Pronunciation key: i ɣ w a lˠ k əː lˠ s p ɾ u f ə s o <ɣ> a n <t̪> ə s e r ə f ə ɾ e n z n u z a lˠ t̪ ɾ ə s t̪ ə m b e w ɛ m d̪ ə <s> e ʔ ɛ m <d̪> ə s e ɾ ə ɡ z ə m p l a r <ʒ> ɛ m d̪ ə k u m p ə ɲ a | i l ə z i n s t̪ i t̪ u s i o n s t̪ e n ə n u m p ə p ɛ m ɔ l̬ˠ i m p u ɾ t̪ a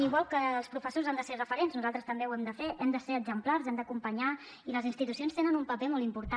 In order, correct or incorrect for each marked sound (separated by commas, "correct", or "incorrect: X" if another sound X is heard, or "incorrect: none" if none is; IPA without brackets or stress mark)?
incorrect: z, incorrect: d̪, incorrect: f, correct, incorrect: z